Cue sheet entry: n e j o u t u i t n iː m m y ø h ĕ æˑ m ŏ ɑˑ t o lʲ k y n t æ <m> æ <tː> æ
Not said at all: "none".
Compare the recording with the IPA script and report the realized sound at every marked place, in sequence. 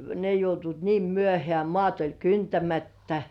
m, tː

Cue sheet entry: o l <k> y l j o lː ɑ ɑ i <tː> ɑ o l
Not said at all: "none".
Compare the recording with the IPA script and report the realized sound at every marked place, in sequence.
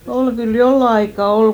k, kː

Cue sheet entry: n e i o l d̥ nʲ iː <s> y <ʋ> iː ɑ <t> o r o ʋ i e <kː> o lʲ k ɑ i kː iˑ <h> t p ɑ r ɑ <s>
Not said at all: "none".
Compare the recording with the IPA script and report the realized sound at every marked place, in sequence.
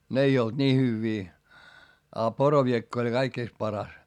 h, ʋː, p, kː, s, s

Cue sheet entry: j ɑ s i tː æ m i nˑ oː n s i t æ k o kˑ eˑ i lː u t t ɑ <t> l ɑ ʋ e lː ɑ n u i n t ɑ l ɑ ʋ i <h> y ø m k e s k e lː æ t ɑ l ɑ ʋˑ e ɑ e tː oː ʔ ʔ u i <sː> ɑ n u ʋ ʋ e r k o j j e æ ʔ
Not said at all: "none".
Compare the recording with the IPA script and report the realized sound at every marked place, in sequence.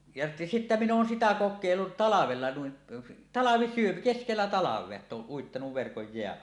none, s, tː

